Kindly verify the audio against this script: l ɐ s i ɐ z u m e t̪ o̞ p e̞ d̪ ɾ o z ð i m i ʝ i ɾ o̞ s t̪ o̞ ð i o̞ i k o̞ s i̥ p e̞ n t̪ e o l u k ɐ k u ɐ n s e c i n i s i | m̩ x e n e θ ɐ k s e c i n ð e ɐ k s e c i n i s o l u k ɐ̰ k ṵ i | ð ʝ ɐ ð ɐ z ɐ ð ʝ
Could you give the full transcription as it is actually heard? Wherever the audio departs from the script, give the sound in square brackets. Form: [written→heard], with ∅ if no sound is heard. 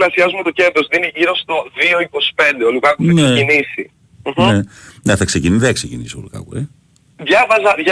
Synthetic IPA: l ɐ s i ɐ z u m e t̪ o̞ [p→c] e̞ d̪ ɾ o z ð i [m→n] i ʝ i ɾ o̞ s t̪ o̞ ð i o̞ i k o̞ s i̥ p e̞ n [t̪→d̪] e o l u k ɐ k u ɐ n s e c i n i s i | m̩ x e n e θ ɐ k s e c i n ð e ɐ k s e c i n i s o l u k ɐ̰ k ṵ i | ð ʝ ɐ [ð→v] ɐ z ɐ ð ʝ